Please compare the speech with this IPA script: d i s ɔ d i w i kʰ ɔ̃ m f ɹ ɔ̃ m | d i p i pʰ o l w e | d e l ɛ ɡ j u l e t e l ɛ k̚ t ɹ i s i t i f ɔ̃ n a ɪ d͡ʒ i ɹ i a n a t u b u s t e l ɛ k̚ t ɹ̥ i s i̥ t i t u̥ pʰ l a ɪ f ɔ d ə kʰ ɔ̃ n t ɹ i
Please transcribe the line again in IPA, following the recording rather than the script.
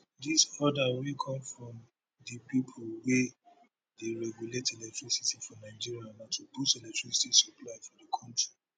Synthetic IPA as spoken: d i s ɔ d a w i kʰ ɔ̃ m f ɹ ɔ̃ m | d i p i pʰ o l w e | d e ɹ ɛ ɡ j u l e t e l ɛ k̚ t ɹ i s i t i f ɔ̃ n a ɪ d͡ʒ i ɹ i a n a t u b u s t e l ɛ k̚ t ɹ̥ i s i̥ t i s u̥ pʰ l a ɪ f ɔ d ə kʰ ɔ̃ n t ɹ i